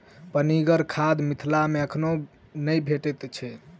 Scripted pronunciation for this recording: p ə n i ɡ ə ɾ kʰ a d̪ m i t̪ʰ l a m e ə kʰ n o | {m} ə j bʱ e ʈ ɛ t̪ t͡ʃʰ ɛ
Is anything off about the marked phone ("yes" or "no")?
yes